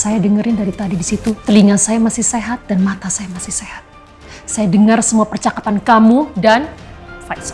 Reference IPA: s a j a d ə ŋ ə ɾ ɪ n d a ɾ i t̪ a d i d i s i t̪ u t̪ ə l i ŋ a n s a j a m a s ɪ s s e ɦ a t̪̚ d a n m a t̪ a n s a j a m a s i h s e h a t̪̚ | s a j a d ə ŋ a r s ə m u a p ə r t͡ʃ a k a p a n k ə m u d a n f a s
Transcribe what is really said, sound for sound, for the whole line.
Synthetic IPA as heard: s a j a d ə ŋ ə ɾ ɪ n d a ɾ i t̪ a d i d i s i t̪ u t̪ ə l i ŋ a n s a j a m a s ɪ h s e ɦ a t̪̚ d a n m a t̪ a s a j a m a s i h s e h a t̪̚ | s a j a d ə ŋ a r s ə m u a p ə r t͡ʃ a k a p a n k a m u d a n f a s